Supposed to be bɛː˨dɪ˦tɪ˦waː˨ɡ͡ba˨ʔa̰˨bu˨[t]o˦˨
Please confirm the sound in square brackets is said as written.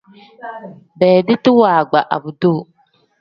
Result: no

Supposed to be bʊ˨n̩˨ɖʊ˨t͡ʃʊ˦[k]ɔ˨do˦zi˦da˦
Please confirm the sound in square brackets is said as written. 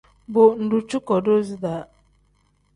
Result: yes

